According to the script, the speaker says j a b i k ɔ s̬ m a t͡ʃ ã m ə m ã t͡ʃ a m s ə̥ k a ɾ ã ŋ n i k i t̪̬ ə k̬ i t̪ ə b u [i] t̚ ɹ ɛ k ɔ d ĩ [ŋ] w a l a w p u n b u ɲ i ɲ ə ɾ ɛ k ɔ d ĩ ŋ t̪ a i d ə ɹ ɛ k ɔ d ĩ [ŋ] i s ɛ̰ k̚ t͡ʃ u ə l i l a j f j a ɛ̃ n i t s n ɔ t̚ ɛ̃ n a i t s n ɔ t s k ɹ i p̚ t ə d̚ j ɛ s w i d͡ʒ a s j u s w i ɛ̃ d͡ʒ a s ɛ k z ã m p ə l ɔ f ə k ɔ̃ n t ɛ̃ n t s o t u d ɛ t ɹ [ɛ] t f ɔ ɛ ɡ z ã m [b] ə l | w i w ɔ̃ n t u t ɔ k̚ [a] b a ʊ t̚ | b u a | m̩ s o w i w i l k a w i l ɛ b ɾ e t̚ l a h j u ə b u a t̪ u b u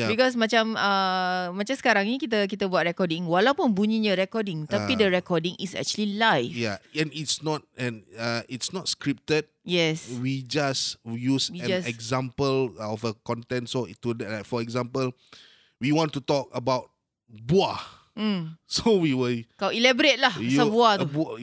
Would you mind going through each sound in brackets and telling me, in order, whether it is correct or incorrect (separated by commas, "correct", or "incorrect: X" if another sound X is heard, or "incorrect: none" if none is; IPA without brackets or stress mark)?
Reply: incorrect: a, correct, correct, incorrect: a, incorrect: p, incorrect: ə